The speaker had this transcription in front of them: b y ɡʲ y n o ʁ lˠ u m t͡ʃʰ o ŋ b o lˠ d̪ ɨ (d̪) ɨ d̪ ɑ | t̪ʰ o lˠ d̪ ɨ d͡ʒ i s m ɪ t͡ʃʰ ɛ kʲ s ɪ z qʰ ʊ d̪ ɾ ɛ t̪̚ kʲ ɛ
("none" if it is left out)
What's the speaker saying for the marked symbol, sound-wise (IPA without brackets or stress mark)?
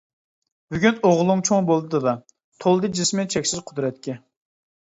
d̪